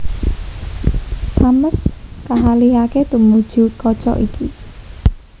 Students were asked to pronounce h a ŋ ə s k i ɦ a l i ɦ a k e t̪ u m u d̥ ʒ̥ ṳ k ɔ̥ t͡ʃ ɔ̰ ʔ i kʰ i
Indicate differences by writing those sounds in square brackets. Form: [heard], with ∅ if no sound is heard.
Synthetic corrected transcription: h a [m] ə s k [a] ɦ a l i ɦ a k e t̪ u m u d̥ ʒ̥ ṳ k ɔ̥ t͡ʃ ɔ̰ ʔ i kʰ i